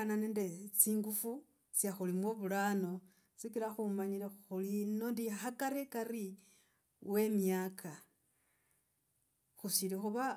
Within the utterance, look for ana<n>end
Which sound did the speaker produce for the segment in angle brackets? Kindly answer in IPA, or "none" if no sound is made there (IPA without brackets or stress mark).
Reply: n